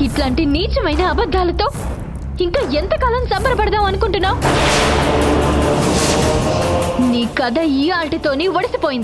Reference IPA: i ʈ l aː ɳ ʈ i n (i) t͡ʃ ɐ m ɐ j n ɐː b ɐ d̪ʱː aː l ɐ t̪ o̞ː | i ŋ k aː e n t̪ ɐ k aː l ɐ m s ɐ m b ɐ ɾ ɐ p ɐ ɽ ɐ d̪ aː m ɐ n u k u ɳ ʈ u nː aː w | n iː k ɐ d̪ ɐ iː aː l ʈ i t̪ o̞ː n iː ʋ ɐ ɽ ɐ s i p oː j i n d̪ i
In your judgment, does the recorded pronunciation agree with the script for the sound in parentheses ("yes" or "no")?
no